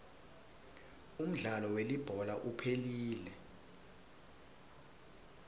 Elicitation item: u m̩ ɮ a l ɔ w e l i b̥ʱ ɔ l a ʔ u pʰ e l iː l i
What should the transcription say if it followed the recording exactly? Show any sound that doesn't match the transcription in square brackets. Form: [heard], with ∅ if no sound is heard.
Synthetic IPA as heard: u m̩ ɮ a l ɔ w e l i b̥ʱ ɔ l a ʔ u pʰ e l iː l [ɛ]